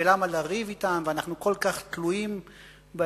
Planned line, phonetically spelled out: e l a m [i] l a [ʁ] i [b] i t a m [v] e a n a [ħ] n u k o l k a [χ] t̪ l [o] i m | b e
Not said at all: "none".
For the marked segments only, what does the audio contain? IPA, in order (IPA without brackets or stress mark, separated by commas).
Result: a, ʁ, v, v, χ, χ, u